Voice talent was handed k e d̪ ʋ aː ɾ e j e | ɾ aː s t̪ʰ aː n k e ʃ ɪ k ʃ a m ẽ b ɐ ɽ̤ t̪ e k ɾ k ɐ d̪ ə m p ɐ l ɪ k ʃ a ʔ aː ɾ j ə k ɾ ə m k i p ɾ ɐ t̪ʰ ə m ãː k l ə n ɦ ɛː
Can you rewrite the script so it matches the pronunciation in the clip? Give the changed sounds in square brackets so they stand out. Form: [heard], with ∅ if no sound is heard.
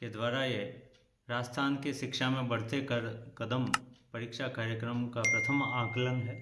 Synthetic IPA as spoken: k e d̪ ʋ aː ɾ [a] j e | ɾ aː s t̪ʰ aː n k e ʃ ɪ k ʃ a m ẽ b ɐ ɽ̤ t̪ e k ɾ k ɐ d̪ ə m p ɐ [ɾ] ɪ k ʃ a [k] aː ɾ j ə k ɾ ə m k [a] p ɾ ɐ t̪ʰ ə m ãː k l ə n ɦ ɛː